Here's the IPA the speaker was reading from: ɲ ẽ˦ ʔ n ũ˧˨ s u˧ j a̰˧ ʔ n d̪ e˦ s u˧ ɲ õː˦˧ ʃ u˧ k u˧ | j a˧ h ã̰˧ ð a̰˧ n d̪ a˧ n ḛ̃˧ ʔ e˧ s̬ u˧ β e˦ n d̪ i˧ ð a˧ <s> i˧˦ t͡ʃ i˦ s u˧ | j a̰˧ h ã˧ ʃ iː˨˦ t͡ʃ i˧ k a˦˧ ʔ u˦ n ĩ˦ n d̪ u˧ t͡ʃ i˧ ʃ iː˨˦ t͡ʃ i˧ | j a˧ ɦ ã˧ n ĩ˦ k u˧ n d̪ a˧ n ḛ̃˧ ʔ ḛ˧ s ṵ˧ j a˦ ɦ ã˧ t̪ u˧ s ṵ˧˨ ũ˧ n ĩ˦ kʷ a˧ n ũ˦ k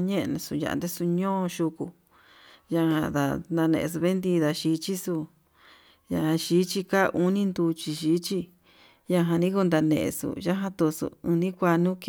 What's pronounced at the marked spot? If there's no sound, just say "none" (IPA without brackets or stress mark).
ʃ